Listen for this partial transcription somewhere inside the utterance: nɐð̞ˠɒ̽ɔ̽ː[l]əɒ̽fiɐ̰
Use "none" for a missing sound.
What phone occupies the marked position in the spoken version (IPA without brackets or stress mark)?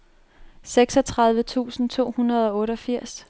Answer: ɾ